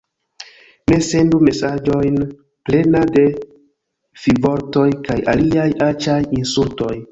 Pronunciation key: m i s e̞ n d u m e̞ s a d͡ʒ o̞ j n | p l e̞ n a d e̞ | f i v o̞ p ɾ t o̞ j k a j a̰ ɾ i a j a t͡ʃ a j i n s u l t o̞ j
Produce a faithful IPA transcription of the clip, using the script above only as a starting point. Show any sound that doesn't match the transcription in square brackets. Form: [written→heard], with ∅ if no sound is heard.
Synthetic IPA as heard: m [i→e] s e̞ n d u m e̞ s a d͡ʒ o̞ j n | p l e̞ n a d e̞ | f i v o̞ [p→∅] ɾ t o̞ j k a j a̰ [ɾ→l] i a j a t͡ʃ a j i n s u l t o̞ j